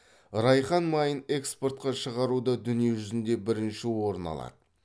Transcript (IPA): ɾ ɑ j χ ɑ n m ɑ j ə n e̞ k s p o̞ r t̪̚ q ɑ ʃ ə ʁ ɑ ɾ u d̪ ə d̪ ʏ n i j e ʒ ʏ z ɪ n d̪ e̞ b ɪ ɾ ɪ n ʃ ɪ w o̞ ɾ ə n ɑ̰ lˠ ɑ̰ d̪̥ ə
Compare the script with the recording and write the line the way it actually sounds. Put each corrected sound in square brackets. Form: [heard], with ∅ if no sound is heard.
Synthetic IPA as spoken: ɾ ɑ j χ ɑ n m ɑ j ə n e̞ k s p o̞ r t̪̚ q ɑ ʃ ə ʁ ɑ ɾ u d̪ ə d̪ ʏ n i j e ʒ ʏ z ɪ n d̪ e̞ b ɪ ɾ ɪ n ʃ ɪ w o̞ ɾ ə n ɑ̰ lˠ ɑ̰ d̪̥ ə